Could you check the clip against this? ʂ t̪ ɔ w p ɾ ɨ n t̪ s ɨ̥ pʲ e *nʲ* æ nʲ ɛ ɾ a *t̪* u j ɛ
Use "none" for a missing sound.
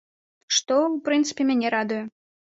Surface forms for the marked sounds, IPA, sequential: mʲ, d̪

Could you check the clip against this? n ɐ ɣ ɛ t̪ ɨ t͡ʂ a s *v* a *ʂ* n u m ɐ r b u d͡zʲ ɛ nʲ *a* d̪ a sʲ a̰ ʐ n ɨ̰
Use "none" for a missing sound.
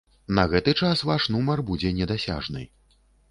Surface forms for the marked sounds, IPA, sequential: v, ʂ, ɛ

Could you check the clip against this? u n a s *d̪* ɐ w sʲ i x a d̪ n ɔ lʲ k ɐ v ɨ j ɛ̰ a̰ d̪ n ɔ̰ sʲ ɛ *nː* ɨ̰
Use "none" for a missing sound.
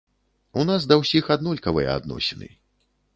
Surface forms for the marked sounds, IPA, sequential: d̪, n

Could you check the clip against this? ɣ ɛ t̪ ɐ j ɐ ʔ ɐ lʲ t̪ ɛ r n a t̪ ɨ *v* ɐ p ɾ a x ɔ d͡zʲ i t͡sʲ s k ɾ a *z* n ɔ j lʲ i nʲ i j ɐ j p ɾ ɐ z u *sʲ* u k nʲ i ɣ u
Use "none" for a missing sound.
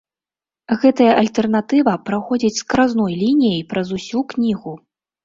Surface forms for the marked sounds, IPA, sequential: v, z, sʲ

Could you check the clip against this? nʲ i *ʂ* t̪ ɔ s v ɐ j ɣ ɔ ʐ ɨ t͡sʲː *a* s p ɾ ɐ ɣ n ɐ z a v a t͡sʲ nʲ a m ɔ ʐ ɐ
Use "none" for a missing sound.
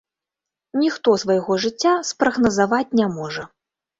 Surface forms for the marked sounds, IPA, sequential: x, a

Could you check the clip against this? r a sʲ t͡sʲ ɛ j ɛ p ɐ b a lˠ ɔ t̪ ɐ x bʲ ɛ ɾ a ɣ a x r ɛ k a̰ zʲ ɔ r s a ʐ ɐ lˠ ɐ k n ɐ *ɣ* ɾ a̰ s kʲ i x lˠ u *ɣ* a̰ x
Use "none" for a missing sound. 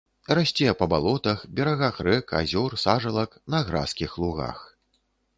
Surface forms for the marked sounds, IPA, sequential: ɣ, ɣ

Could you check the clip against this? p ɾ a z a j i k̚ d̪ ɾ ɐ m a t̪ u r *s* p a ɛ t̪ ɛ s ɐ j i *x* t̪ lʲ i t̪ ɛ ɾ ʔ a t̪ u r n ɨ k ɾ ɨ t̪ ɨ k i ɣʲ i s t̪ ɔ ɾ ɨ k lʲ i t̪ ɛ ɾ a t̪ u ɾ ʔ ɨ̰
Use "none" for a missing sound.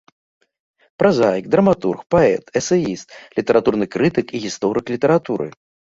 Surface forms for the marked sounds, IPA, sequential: x, s

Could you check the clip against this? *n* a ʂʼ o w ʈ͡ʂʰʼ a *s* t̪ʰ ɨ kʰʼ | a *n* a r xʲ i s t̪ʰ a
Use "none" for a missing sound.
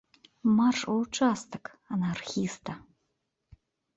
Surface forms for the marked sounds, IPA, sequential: m, s, n

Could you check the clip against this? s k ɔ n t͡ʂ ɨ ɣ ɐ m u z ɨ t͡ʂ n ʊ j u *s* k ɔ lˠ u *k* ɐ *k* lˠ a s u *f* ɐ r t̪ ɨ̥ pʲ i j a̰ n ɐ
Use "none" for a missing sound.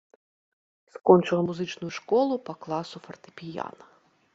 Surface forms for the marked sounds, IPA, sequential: ʂ, p, k, f

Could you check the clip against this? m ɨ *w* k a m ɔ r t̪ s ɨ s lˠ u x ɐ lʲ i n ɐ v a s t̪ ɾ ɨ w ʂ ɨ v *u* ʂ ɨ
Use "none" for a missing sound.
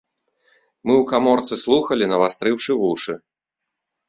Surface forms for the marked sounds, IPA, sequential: w, u

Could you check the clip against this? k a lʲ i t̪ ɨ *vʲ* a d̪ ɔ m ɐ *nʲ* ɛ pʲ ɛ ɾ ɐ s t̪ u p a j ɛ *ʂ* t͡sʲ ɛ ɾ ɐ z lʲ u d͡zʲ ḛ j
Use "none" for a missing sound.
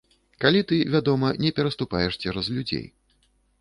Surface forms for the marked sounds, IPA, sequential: vʲ, nʲ, ʂ

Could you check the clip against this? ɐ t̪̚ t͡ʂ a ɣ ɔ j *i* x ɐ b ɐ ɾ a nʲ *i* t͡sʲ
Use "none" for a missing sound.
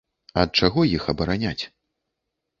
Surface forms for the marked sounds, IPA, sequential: i, a

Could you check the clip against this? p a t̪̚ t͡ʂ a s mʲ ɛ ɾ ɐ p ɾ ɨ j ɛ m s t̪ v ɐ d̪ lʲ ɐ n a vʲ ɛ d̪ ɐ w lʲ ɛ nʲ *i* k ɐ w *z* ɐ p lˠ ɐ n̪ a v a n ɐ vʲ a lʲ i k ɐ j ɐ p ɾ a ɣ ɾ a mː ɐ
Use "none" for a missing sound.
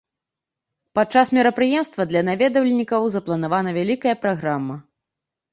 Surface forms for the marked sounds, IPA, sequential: i, z

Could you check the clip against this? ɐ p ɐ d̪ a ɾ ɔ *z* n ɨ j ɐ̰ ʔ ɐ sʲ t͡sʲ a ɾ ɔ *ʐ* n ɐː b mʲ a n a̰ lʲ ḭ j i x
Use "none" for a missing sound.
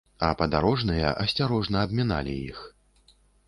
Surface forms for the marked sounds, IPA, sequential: ʐ, ʐ

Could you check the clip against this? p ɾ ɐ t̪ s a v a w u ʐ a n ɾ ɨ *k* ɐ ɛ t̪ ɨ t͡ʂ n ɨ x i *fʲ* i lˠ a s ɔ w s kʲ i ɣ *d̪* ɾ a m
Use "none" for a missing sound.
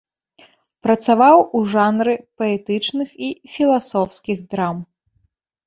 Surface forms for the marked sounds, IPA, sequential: p, fʲ, d̪

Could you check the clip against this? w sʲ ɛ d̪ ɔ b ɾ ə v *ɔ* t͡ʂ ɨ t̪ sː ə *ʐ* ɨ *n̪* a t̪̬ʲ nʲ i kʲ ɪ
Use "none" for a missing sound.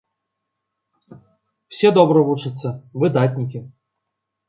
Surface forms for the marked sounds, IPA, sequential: u, v, d̪

